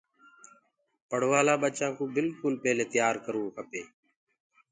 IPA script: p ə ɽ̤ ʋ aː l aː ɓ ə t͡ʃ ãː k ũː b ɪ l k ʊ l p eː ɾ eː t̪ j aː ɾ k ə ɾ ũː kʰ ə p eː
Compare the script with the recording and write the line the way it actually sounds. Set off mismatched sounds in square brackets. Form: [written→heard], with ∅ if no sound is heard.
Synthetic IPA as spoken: p ə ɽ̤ ʋ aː l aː ɓ ə t͡ʃ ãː k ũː b ɪ l k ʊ l p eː [ɾ→l] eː t̪ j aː ɾ k ə ɾ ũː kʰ ə p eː